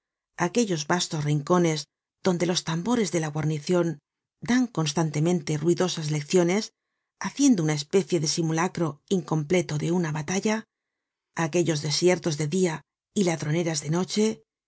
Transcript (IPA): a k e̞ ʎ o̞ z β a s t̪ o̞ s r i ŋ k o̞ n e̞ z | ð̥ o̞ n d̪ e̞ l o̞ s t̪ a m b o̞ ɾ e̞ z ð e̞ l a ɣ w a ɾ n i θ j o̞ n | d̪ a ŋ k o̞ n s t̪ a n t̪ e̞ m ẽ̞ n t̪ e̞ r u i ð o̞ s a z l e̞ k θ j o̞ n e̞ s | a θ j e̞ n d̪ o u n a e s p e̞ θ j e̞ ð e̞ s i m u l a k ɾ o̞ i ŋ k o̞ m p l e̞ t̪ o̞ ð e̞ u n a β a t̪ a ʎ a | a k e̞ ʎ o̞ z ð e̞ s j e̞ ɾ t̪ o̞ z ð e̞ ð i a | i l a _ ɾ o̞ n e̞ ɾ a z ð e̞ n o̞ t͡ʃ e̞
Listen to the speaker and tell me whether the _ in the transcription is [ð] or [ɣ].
ð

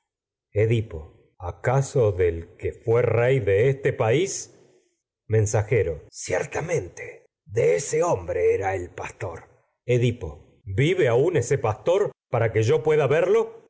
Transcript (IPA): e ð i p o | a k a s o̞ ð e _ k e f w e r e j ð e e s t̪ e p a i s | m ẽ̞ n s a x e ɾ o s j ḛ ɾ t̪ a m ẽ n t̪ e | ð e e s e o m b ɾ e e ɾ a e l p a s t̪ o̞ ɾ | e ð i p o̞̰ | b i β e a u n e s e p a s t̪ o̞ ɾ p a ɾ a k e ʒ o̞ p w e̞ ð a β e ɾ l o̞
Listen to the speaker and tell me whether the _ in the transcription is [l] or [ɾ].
l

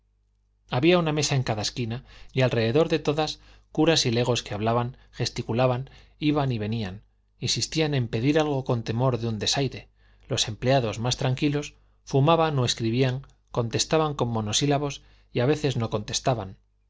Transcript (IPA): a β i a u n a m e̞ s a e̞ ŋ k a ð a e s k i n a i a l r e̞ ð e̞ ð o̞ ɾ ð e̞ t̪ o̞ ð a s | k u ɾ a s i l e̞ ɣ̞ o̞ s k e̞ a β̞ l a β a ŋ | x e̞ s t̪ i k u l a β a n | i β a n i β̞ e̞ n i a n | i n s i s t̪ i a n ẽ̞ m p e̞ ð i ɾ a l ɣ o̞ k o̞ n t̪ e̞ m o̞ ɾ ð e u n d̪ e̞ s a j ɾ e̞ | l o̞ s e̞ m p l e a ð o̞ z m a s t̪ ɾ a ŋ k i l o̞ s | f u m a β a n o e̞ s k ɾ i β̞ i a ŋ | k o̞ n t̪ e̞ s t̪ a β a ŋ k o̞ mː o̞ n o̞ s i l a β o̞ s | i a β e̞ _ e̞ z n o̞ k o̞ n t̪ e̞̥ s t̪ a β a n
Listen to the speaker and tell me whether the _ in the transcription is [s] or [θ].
θ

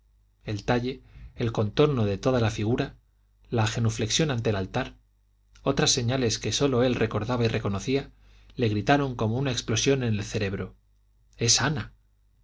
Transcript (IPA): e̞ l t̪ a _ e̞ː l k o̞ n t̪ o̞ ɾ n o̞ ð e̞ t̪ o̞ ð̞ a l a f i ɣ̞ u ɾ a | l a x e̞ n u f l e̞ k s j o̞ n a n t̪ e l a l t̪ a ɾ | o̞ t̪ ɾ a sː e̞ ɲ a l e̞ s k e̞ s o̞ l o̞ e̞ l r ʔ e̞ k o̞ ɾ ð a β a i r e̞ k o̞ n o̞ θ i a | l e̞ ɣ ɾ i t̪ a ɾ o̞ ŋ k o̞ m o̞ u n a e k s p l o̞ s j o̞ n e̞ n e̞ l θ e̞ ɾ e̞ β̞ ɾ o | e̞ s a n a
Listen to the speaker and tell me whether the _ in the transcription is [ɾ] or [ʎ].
ʎ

